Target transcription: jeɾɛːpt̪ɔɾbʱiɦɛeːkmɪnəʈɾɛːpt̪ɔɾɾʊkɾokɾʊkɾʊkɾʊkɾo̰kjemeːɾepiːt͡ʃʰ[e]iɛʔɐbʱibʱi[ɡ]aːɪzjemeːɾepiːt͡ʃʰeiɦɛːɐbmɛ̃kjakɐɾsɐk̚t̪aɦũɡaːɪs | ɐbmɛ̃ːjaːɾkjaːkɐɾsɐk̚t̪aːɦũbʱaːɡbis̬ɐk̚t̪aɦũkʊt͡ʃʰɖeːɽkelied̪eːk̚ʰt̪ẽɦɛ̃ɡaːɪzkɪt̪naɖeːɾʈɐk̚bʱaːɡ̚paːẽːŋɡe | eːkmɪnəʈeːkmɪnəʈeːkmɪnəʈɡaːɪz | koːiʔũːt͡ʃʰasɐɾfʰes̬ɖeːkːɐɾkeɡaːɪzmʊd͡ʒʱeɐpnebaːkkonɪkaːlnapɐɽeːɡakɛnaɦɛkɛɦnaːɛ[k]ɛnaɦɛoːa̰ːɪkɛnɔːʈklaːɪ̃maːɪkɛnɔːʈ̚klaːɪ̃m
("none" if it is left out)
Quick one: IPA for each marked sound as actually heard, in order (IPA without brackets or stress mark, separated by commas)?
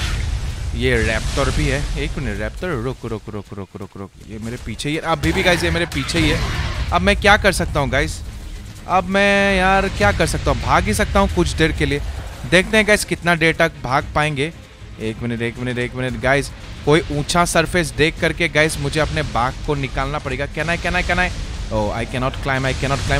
e, ɡ, k